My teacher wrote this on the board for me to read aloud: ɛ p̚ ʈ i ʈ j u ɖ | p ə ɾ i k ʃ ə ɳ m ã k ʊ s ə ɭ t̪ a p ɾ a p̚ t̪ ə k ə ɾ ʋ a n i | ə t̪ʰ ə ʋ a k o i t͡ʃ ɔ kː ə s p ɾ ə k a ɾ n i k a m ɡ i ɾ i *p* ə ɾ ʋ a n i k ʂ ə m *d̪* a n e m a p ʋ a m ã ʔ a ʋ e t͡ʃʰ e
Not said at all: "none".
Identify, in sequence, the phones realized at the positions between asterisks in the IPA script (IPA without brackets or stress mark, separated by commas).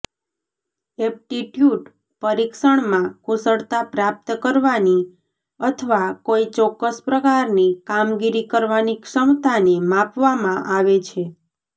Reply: k, t̪